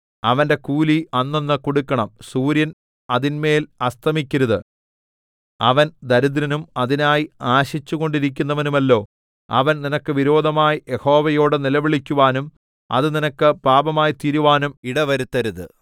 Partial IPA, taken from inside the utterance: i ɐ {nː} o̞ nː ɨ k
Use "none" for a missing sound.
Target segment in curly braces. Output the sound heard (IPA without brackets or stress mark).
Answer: nː